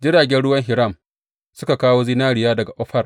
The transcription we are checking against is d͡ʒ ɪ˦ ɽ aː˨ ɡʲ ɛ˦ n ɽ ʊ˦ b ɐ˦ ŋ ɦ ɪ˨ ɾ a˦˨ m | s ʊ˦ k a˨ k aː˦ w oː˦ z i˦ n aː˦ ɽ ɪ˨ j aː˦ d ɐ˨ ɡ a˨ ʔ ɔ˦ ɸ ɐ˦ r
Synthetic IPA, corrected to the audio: d͡ʒ ɪ˦ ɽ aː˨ ɡʲ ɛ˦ n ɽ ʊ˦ w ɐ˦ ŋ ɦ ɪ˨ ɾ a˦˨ m | s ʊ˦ k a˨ k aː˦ w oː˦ z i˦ n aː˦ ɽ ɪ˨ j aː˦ d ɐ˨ ɡ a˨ ʔ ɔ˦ ɸ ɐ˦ r